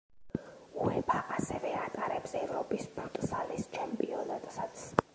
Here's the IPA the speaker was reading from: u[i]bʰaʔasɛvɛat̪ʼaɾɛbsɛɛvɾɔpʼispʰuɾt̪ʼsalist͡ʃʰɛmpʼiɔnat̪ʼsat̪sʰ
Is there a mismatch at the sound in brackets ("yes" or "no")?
yes